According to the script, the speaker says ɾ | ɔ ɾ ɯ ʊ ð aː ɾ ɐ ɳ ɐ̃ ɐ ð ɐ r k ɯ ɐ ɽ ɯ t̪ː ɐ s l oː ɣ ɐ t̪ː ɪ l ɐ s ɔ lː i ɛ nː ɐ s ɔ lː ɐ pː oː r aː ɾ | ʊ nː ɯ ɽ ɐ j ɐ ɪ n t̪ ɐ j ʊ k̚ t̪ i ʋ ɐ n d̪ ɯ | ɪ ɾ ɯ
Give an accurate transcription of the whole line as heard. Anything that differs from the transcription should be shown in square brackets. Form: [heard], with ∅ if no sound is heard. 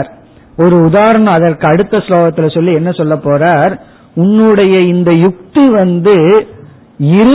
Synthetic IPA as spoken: ɾ | ɔ ɾ ɯ ʊ ð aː ɾ ɐ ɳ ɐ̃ ɐ ð ɐ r k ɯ ɐ ɽ ɯ t̪ː ɐ s l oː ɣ ɐ t̪ː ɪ l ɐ s ɔ lː i ɛ nː ɐ s ɔ lː ɐ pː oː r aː ɾ | ʊ nː ɯ ɽ ɐ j ɐ ɪ n [d̪] ɐ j ʊ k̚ t̪ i ʋ ɐ n d̪ ɯ | ɪ ɾ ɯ